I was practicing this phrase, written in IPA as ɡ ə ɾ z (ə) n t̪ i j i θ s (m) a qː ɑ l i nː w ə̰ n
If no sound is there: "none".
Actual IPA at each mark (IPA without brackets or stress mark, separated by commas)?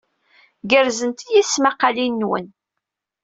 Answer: ə, m